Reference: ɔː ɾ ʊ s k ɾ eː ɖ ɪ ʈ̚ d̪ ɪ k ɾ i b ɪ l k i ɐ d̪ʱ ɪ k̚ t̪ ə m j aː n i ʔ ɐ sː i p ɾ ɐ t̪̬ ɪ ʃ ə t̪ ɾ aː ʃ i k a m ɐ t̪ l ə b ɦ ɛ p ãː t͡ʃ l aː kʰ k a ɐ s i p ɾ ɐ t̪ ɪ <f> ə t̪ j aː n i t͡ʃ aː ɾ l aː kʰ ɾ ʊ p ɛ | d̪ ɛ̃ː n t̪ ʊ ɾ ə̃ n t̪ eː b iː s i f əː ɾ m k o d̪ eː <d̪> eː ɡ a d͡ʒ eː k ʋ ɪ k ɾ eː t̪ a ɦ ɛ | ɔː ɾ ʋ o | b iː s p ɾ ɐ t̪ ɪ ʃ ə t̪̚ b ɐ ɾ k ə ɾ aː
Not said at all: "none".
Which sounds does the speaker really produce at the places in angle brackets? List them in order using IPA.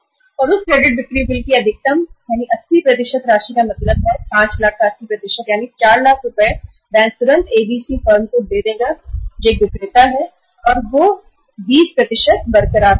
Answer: ʃ, d̪

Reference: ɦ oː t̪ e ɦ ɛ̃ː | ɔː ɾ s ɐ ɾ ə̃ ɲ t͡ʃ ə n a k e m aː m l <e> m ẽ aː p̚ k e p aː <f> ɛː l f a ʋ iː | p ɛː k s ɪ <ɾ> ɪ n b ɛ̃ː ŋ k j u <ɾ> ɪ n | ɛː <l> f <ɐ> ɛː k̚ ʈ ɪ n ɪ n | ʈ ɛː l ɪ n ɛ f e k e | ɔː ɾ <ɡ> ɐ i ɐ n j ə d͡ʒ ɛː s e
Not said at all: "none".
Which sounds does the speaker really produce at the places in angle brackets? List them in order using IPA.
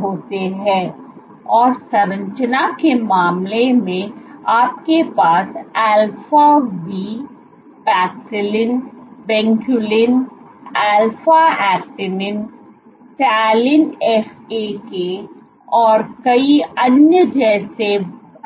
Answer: e, s, l, l, l, a, k

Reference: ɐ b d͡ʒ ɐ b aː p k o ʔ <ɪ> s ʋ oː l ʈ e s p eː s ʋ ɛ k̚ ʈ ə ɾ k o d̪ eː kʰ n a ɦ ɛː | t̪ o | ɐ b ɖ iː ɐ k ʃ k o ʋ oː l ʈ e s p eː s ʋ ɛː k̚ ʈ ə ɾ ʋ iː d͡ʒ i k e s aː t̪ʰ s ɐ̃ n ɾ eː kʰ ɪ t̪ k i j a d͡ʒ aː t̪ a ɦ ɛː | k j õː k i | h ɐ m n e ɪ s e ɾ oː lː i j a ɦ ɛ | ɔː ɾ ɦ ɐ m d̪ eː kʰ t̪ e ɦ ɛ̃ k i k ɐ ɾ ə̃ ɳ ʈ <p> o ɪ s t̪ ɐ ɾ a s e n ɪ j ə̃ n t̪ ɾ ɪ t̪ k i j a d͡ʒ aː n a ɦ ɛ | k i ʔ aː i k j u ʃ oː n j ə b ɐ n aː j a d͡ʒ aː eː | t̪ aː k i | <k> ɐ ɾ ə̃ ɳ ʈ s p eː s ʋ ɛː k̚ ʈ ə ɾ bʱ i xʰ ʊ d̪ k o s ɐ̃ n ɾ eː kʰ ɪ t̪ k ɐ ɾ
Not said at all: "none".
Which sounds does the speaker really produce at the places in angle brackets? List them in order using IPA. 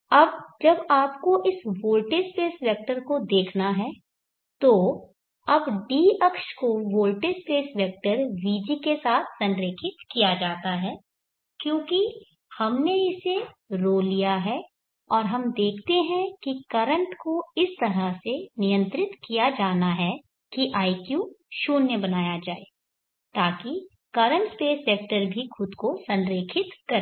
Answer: ɪ, k, k

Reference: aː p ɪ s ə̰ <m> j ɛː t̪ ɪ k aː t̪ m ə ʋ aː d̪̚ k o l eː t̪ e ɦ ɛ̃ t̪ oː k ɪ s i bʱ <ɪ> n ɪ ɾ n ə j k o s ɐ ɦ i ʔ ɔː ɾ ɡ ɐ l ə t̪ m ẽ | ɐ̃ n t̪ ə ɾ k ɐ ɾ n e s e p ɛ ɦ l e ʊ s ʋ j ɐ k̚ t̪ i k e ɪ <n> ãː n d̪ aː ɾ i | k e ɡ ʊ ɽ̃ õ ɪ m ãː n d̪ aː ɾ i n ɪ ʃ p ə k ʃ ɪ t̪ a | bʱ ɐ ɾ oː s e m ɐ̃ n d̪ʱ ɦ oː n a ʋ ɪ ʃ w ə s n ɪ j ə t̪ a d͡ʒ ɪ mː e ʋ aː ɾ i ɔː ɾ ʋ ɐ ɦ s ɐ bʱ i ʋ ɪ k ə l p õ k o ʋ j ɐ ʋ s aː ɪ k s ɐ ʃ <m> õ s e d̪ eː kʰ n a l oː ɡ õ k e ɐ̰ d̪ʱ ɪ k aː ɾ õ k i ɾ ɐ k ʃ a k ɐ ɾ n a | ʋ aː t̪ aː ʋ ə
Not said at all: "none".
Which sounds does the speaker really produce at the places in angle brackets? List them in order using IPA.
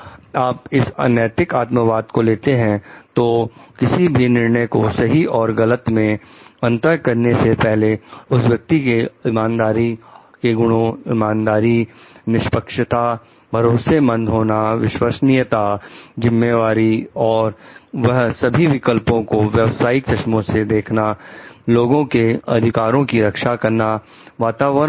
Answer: n, i, m, m

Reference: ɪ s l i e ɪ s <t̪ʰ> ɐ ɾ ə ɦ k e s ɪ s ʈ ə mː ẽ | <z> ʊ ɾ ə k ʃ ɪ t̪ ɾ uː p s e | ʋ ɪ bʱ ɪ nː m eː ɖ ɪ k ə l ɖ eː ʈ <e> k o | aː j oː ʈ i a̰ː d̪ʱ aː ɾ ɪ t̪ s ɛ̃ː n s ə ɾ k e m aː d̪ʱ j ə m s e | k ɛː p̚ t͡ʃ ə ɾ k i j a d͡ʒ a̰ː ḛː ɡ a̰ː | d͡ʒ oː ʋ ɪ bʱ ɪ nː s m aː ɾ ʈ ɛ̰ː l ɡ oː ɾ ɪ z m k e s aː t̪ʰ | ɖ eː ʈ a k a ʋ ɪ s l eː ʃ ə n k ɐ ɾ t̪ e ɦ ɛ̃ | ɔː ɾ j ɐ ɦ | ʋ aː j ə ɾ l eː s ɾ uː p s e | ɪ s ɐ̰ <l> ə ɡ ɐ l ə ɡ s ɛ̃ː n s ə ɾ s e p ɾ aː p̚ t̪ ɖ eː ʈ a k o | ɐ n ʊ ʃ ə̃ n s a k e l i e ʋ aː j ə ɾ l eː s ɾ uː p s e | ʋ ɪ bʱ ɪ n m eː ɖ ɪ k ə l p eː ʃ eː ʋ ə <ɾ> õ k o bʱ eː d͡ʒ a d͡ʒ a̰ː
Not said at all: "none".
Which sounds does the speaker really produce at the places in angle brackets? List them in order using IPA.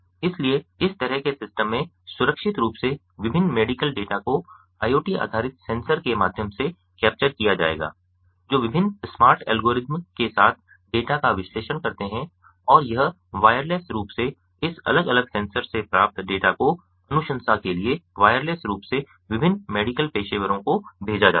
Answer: t̪, s, a, l, ɾ

